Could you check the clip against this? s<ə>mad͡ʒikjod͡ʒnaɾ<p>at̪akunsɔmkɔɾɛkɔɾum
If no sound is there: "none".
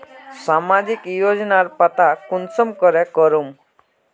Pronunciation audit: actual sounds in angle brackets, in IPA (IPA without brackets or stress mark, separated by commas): a, p